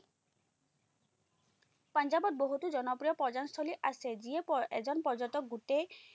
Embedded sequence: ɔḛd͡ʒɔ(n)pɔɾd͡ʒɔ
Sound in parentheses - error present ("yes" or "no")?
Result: no